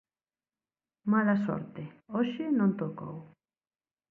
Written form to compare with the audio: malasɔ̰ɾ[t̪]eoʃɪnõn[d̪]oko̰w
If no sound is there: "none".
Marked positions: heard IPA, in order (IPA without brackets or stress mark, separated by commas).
t̪, t̪